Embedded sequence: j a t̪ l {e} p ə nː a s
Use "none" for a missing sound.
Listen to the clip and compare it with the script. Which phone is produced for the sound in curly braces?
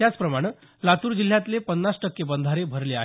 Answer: e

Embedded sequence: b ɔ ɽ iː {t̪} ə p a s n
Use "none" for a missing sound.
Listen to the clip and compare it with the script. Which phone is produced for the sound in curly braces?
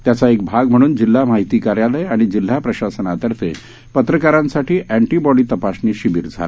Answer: t̪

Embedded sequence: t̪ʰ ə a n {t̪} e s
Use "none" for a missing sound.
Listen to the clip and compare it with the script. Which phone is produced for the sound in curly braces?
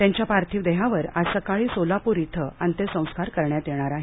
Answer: t̪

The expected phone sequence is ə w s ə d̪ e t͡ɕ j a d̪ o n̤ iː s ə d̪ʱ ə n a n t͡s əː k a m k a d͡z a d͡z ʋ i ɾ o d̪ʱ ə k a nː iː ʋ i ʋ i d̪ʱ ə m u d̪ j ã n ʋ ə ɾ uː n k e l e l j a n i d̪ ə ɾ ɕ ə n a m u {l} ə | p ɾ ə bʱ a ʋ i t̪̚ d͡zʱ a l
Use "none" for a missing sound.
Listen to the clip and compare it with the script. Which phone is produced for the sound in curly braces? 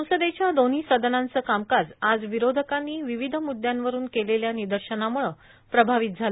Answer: ɭ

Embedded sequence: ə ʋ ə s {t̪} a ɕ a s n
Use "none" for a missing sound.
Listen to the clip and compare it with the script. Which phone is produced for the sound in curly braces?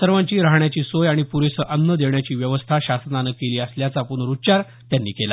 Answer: t̪ʰ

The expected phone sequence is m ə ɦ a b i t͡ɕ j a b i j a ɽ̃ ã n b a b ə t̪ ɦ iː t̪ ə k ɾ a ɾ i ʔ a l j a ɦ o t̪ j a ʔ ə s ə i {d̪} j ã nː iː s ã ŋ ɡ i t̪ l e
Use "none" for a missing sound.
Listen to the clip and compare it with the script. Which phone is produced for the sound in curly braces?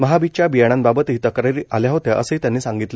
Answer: t̪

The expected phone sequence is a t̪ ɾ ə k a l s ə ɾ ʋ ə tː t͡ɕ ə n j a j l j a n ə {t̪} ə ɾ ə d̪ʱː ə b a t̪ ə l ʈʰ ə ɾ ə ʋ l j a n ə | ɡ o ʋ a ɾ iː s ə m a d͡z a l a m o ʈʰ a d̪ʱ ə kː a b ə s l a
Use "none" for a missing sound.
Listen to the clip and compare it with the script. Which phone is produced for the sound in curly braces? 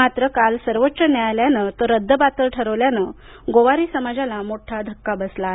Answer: t̪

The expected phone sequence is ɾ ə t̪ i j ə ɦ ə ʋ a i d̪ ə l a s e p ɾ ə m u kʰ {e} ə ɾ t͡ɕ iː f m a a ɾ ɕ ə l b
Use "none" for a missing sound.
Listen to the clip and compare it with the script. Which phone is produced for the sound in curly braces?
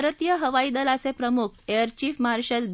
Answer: e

